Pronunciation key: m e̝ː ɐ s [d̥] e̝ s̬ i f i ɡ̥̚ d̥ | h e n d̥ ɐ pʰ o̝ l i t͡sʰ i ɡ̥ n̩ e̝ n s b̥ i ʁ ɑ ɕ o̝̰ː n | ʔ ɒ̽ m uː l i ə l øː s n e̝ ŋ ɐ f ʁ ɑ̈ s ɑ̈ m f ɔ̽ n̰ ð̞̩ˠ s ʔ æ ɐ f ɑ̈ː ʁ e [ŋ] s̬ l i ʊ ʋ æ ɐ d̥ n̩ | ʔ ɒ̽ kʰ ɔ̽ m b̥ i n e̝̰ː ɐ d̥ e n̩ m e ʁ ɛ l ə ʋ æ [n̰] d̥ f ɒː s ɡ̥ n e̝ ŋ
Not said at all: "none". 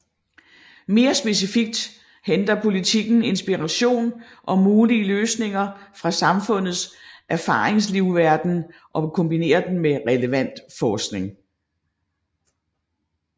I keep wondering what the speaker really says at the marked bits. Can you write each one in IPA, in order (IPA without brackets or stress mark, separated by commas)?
b̥, ŋ, n̰